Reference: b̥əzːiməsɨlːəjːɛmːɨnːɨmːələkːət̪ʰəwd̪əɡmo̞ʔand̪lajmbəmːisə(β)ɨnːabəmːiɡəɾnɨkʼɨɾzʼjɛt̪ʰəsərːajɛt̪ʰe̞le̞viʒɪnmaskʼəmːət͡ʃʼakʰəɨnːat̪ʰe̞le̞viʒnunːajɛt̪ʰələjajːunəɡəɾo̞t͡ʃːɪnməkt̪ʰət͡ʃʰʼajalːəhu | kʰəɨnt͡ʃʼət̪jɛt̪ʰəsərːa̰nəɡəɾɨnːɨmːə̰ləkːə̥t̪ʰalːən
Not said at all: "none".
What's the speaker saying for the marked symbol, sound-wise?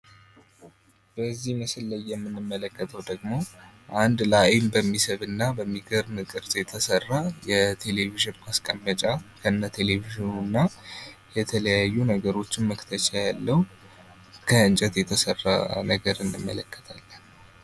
β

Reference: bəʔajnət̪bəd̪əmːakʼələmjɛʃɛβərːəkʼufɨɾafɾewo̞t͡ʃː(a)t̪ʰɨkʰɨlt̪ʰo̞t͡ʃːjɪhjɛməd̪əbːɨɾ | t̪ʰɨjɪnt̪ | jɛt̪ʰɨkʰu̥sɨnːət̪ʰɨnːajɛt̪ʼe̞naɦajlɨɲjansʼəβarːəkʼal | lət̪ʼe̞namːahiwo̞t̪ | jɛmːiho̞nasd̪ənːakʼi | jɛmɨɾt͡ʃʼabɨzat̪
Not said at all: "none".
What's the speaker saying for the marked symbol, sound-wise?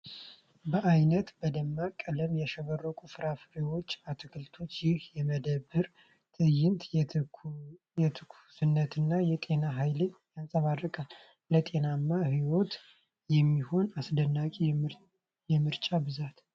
a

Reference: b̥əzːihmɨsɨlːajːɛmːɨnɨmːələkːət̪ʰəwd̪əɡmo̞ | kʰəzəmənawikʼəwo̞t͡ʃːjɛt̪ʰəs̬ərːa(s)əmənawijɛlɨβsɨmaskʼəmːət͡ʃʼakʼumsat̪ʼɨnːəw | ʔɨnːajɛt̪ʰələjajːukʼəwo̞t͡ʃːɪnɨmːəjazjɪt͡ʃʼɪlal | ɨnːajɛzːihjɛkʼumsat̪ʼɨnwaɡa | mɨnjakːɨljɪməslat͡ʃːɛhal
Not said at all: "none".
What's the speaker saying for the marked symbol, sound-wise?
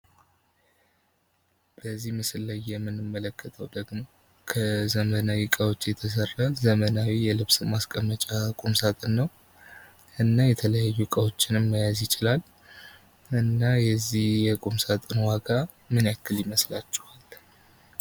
z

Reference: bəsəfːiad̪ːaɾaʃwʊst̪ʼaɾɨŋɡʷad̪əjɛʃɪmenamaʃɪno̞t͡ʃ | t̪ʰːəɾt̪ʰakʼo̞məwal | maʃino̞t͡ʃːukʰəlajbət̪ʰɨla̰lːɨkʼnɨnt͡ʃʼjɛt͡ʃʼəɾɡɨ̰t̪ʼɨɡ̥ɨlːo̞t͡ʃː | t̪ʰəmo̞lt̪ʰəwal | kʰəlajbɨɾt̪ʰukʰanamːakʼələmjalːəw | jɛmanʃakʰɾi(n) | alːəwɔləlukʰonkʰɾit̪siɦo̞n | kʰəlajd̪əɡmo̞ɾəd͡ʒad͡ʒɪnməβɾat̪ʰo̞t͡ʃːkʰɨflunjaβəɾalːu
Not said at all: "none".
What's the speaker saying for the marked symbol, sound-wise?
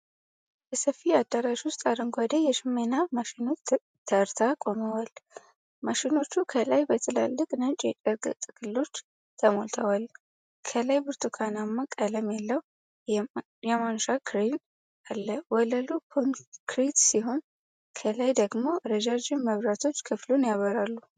n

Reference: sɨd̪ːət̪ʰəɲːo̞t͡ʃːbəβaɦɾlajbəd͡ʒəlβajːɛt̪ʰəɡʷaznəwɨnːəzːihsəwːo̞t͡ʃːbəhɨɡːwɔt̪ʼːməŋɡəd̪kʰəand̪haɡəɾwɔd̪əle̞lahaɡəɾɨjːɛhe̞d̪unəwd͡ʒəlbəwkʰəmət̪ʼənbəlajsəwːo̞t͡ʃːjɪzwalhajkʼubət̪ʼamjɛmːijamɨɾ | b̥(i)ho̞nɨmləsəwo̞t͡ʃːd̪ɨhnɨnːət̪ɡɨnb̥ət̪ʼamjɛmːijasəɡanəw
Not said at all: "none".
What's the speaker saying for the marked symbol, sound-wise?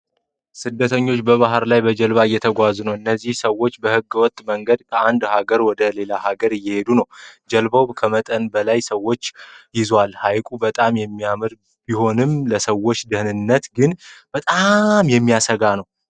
i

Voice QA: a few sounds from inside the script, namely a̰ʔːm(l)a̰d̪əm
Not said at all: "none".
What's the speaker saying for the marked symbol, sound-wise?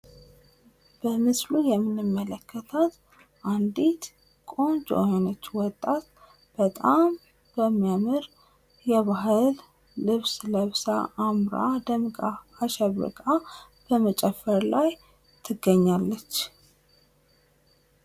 ɾ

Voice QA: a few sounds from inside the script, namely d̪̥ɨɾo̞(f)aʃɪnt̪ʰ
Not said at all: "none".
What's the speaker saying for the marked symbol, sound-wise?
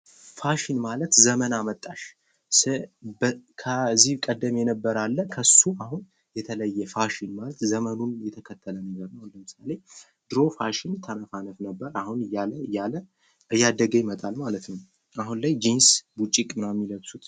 f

